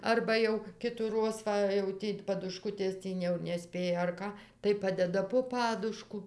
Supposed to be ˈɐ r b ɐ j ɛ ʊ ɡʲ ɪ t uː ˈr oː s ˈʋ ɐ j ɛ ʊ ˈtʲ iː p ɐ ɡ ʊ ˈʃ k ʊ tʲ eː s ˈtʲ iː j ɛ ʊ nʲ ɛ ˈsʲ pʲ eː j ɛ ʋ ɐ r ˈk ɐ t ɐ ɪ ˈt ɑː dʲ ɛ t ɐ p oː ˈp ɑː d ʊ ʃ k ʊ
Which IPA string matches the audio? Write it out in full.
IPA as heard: ˈɐ r b ɐ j ɛ ʊ kʲ ɪ t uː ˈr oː s ˈʋ ɐ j ɛ ʊ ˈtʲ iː p ɐ d ʊ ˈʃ k ʊ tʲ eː s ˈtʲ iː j ɛ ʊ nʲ ɛ ˈsʲ pʲ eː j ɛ ɐ r ˈk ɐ t ɐ ɪ ˈp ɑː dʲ ɛ d ɐ p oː ˈp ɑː d ʊ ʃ k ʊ